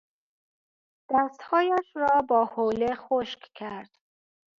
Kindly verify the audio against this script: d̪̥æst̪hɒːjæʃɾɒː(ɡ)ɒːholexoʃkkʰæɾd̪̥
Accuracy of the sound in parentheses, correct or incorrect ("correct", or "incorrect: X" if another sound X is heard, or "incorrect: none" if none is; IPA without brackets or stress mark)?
incorrect: b